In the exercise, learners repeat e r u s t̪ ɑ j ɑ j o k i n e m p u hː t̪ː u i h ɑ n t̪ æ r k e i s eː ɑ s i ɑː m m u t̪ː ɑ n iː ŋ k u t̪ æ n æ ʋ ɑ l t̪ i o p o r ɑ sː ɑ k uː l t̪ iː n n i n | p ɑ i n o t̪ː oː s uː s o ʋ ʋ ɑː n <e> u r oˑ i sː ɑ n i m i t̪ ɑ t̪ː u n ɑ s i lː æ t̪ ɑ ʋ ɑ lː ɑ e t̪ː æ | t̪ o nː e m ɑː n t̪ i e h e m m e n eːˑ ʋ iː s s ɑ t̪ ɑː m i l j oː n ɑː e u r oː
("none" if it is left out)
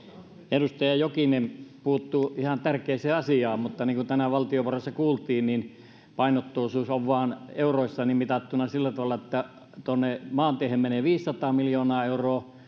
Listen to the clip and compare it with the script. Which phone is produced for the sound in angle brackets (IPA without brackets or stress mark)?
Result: e